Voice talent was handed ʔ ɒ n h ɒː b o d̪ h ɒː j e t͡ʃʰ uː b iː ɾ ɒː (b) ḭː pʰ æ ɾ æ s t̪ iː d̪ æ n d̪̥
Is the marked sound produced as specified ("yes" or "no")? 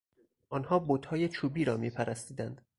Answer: no